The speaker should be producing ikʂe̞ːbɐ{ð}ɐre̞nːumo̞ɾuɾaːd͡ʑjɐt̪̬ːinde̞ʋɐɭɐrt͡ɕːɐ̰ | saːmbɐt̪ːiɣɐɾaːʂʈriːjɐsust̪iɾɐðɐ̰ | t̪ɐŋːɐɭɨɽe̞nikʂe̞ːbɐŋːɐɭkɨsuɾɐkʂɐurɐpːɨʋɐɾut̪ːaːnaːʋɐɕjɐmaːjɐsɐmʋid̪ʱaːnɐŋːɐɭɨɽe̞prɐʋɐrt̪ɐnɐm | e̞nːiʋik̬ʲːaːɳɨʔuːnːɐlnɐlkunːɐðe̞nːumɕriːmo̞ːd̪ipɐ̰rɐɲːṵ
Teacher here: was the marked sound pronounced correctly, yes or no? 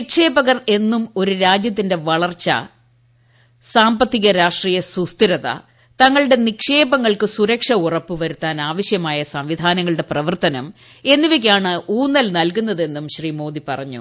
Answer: no